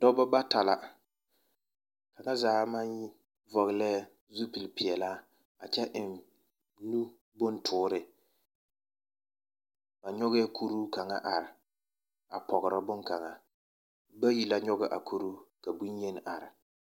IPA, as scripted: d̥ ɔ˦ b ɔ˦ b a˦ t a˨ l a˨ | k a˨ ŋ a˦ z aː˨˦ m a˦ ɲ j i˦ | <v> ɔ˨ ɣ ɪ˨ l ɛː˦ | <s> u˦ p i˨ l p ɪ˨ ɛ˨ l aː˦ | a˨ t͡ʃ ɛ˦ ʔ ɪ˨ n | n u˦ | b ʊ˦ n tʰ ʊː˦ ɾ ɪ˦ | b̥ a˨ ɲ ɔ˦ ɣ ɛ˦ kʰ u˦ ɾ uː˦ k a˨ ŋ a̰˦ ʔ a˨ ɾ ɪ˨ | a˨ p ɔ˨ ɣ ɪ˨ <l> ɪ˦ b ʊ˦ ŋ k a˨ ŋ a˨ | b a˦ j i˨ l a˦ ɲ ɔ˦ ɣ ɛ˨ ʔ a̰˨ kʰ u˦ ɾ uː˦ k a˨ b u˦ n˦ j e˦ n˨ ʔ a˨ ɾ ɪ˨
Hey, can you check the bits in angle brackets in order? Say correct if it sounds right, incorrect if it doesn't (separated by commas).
correct, incorrect, incorrect